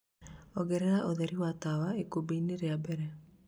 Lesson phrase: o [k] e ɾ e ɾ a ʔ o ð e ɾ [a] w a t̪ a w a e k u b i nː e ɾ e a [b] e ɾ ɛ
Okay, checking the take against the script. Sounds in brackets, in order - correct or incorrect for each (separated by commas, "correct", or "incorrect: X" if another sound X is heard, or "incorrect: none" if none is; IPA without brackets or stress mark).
incorrect: ɡ, incorrect: i, correct